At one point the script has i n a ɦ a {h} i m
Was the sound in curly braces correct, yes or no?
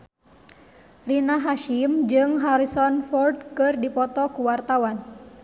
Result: no